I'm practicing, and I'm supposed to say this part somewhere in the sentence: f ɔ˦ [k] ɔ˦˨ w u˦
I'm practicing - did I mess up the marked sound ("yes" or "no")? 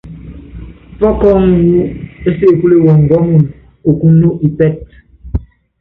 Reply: no